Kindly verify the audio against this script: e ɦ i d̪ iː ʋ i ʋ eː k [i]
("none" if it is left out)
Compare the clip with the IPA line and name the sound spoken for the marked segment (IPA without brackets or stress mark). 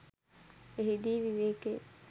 e